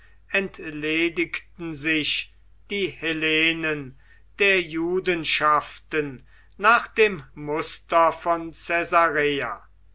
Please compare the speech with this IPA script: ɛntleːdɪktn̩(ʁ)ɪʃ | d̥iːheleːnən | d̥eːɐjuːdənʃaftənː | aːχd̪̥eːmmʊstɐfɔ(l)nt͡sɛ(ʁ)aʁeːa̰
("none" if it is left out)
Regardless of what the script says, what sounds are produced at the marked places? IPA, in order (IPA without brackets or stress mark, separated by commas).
z, none, z